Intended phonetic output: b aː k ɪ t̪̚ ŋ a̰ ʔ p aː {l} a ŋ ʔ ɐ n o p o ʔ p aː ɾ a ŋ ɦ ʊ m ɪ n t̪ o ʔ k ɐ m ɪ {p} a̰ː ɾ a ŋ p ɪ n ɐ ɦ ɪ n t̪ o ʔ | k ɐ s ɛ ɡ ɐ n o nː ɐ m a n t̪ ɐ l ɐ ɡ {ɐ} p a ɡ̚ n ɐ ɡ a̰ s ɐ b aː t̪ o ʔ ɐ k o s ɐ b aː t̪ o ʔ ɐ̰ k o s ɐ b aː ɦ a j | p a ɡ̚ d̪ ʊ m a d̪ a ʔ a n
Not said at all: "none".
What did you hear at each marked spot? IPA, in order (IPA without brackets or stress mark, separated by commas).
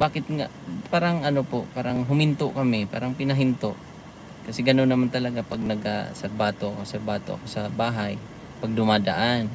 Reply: ɾ, p, a